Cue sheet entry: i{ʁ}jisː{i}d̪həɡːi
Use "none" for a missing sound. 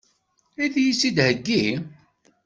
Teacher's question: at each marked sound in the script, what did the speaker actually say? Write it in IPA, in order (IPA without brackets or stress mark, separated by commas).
ð, i